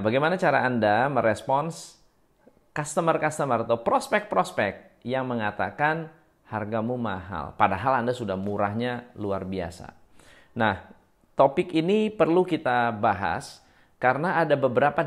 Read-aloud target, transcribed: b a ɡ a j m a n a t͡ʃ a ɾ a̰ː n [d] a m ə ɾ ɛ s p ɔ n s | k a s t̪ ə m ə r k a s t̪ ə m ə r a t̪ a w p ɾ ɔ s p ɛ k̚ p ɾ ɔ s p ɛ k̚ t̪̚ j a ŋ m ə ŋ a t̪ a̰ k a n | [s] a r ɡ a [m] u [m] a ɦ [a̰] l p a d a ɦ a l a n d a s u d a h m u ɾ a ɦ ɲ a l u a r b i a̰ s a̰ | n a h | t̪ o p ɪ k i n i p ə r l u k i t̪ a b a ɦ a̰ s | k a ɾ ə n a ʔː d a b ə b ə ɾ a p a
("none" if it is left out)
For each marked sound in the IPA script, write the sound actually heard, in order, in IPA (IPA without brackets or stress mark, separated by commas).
d, h, m, m, a̰